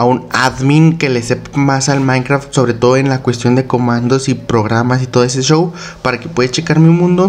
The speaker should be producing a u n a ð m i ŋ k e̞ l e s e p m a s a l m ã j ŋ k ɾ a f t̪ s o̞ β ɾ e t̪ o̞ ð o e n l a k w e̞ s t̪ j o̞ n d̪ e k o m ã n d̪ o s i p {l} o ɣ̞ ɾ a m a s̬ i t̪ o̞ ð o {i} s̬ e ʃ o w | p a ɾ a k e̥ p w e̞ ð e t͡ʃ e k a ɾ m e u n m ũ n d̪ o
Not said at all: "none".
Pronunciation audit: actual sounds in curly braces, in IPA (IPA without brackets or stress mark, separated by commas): ɾ, e